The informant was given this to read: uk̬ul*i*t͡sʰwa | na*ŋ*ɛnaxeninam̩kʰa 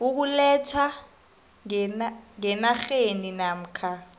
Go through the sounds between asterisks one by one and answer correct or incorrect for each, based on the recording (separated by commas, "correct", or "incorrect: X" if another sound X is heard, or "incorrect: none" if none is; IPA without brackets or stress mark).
incorrect: ɛ, correct